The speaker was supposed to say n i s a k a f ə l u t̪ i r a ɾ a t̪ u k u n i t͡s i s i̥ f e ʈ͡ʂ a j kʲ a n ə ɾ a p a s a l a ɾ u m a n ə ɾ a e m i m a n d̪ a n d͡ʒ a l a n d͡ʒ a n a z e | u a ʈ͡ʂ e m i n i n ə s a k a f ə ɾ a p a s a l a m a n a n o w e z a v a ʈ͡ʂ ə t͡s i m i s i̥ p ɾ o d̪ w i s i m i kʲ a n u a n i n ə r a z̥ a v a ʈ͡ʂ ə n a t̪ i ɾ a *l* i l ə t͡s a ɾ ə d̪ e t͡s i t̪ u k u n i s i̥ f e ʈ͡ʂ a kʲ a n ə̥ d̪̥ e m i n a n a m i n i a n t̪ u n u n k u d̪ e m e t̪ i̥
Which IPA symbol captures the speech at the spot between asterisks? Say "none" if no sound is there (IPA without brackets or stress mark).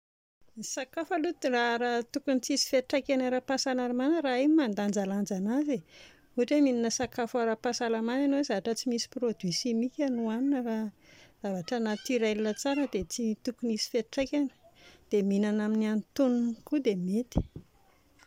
l